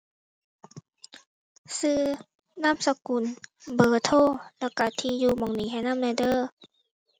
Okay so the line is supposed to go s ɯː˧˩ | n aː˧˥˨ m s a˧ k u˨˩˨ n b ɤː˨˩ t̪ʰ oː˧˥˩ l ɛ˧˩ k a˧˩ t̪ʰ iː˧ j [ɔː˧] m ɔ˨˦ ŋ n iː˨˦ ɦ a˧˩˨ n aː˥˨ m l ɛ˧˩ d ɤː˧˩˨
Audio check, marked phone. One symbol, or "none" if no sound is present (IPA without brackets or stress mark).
uː˧